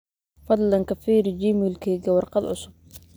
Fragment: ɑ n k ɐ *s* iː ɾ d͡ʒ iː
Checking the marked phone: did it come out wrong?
yes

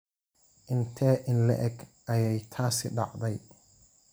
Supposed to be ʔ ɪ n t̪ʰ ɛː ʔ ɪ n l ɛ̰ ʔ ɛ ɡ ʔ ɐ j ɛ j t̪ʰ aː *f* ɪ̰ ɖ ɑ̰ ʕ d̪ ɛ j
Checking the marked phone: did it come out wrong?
yes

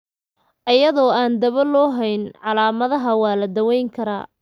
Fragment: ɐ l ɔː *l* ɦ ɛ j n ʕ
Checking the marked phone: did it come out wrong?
yes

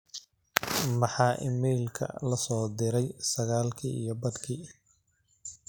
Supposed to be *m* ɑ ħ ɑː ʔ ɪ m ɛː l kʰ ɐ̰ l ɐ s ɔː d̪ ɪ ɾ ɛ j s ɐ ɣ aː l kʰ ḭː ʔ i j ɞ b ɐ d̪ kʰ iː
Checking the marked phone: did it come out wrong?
no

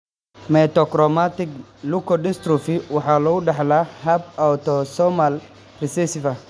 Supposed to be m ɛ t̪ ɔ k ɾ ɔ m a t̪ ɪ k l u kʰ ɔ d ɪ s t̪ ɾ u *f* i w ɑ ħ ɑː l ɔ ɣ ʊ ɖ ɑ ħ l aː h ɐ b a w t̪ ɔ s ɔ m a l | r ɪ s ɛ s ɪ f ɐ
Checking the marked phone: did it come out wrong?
no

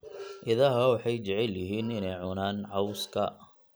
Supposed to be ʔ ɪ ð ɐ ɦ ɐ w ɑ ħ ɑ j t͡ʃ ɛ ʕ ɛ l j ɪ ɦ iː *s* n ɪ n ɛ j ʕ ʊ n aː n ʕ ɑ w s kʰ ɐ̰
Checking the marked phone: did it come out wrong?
yes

